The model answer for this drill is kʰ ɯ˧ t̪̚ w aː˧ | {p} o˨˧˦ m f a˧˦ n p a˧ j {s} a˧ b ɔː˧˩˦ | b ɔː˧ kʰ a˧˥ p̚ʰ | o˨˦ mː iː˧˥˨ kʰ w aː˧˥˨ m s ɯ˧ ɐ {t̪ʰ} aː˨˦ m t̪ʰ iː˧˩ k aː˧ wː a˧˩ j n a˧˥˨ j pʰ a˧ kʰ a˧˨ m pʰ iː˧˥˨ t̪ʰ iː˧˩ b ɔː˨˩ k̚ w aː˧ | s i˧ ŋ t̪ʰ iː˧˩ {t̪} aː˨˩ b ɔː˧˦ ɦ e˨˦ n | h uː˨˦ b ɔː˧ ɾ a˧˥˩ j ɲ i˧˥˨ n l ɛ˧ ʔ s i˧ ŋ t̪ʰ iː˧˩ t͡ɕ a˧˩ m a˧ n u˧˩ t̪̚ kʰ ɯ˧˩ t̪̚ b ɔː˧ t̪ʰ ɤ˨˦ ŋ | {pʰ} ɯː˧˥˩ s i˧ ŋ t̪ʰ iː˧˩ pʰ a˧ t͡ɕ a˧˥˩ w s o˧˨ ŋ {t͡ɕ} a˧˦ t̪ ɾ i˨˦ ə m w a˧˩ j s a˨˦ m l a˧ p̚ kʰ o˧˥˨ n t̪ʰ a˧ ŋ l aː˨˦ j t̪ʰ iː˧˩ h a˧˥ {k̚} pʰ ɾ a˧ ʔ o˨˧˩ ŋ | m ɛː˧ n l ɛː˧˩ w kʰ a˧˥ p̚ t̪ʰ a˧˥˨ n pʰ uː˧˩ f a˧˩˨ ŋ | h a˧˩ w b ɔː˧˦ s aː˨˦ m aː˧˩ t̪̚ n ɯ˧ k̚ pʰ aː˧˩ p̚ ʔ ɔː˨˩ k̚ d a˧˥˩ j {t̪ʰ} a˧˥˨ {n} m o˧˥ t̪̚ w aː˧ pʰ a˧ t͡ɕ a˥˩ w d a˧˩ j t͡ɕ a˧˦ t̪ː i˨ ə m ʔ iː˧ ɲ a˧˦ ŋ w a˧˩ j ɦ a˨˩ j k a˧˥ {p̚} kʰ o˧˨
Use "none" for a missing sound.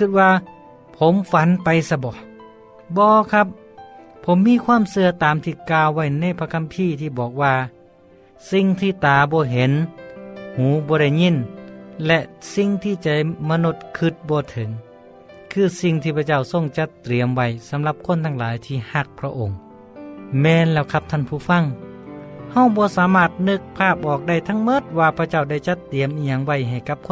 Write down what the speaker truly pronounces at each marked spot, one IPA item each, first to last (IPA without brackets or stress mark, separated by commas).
pʰ, s, t̪, t̪, kʰ, t͡ɕ, k̚, t̪ʰ, ŋ, p̚